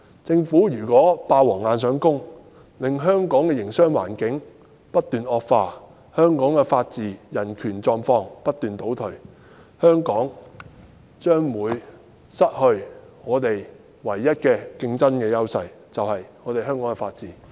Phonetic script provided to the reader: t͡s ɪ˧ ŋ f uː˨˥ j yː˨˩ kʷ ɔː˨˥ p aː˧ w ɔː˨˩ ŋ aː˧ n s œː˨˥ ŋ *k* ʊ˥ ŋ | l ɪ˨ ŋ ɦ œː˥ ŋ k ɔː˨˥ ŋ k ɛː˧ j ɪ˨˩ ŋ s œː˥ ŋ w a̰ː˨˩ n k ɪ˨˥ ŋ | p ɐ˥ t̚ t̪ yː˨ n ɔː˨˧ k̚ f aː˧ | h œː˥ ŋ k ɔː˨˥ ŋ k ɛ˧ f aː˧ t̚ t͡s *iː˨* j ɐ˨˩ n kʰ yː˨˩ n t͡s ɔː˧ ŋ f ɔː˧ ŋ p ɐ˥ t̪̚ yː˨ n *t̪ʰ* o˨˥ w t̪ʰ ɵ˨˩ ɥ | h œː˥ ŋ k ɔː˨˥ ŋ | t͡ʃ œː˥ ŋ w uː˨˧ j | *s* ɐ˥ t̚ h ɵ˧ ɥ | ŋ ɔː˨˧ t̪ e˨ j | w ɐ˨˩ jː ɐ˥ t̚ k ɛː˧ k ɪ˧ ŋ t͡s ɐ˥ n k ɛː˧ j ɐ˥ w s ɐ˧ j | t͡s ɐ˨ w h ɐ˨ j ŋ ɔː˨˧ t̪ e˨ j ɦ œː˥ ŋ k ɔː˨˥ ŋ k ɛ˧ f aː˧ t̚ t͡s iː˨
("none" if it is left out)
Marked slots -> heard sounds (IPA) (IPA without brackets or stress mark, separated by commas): k, iː˨, t̪, s